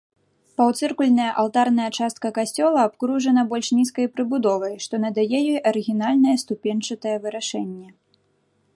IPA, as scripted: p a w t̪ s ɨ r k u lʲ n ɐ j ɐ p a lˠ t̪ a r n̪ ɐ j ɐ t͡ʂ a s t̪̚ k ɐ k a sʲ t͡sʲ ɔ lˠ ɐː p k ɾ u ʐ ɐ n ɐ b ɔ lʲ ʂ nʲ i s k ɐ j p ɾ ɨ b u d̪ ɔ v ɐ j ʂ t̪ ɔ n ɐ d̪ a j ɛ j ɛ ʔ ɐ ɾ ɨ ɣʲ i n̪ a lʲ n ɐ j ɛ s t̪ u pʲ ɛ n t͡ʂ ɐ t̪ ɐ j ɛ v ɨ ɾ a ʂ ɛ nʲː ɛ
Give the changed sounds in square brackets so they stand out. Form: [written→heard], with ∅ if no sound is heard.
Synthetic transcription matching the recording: p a w t̪ s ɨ r k u lʲ n ɐ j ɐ [p→ʔ] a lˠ t̪ a r n̪ ɐ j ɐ t͡ʂ a s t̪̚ k ɐ k a sʲ t͡sʲ ɔ lˠ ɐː p k ɾ u ʐ ɐ n ɐ b ɔ lʲ ʂ nʲ i s k ɐ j p ɾ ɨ b u d̪ ɔ v ɐ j ʂ t̪ ɔ n ɐ d̪ a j ɛ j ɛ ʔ ɐ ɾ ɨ ɣʲ i n̪ a lʲ n ɐ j ɛ s t̪ u pʲ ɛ n t͡ʂ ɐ t̪ ɐ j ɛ v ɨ ɾ a ʂ ɛ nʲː ɛ